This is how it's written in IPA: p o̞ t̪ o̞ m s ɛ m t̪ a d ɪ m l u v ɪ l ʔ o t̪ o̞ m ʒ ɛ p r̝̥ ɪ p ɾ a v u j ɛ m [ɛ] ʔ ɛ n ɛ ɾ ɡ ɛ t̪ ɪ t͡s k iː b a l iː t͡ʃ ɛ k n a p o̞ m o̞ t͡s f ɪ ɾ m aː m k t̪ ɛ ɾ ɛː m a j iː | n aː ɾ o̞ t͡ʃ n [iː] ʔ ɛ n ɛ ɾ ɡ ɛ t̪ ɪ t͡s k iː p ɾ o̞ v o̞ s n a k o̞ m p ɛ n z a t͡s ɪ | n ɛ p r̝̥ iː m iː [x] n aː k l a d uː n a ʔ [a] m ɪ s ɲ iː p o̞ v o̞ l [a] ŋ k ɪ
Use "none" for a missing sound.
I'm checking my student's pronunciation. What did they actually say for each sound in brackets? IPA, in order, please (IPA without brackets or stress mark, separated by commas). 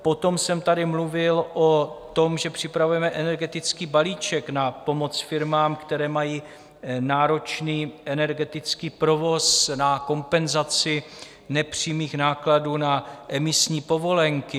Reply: ɛ, iː, x, ɛ, ɛ